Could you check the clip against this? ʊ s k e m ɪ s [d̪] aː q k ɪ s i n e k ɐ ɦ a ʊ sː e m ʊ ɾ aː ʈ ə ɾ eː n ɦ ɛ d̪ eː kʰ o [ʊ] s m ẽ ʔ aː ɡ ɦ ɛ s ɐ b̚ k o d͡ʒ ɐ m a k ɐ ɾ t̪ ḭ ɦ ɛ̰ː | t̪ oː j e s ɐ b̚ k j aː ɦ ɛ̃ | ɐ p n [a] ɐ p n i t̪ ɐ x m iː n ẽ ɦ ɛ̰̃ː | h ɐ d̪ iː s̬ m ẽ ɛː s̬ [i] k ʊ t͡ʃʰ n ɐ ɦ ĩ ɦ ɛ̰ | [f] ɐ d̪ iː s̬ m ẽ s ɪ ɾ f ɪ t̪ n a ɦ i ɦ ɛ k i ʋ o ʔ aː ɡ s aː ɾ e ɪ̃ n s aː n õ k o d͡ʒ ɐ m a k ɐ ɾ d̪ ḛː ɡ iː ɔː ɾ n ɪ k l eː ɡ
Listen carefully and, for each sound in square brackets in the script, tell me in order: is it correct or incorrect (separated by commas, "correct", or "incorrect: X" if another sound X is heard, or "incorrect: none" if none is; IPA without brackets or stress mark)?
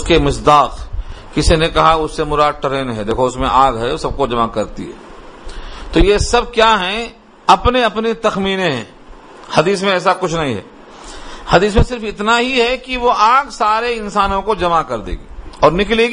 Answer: correct, correct, incorrect: e, incorrect: a, incorrect: h